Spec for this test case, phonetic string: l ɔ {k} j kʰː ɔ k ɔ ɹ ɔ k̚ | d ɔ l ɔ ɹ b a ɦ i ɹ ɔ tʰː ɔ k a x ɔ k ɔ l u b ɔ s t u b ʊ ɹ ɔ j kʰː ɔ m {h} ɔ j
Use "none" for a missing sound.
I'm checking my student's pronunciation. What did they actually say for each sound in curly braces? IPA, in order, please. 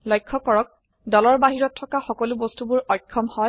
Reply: none, h

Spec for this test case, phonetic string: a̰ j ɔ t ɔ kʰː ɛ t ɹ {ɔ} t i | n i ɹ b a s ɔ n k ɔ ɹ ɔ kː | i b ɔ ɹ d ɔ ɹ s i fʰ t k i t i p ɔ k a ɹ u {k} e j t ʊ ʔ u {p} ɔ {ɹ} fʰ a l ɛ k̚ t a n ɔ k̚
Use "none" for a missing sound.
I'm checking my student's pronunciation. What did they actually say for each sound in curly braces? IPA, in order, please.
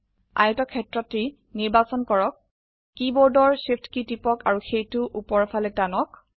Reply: ɔ, x, p, ɹ

